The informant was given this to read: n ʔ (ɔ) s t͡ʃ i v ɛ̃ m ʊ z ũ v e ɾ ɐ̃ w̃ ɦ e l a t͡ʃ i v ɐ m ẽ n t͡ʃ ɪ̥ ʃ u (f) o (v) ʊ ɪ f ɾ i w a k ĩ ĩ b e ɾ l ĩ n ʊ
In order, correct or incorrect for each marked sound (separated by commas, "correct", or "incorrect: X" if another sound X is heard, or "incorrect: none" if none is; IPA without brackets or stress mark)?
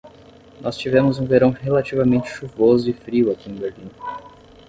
correct, incorrect: v, incorrect: z